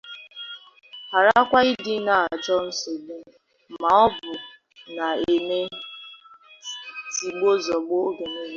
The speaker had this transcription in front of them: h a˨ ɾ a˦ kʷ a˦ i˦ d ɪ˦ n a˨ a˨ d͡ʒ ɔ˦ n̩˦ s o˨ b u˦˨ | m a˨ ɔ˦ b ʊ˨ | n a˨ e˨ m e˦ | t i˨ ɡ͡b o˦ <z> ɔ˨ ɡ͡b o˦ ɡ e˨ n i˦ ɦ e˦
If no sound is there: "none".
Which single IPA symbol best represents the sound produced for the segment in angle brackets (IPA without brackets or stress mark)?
z